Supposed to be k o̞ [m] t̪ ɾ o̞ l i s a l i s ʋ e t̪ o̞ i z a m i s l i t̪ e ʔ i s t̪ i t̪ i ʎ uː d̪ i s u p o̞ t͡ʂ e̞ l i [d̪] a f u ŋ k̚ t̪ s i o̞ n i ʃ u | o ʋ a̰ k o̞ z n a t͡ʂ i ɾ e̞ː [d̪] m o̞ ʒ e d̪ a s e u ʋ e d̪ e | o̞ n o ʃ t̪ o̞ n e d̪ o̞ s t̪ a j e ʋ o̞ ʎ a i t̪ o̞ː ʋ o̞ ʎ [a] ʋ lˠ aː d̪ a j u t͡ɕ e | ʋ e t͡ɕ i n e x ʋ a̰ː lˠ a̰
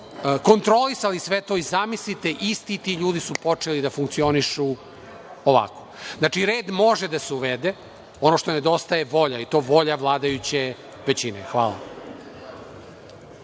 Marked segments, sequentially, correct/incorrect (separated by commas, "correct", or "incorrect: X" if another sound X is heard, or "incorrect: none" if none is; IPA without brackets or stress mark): incorrect: n, correct, correct, correct